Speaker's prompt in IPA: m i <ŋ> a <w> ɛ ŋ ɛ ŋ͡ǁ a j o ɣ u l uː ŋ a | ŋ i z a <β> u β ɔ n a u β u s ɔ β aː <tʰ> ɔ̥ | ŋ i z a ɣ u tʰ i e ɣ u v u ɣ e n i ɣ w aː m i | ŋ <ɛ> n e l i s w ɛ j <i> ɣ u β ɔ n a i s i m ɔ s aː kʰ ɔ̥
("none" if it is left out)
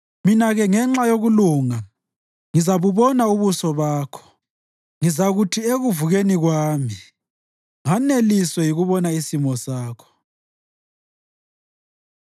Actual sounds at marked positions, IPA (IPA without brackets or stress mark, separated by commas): n, ɣ, β, kʰ, a, i